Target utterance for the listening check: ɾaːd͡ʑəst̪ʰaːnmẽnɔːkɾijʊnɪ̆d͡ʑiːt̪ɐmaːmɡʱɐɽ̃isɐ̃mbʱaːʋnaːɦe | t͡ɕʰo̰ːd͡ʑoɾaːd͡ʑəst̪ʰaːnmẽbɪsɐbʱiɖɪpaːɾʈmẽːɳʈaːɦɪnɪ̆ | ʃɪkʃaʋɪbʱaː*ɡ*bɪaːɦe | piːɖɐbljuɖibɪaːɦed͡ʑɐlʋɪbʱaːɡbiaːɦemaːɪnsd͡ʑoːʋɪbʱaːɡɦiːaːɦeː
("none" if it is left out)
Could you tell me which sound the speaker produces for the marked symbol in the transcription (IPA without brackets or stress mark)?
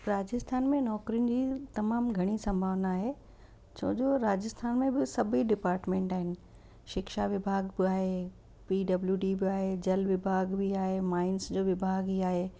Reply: ɡ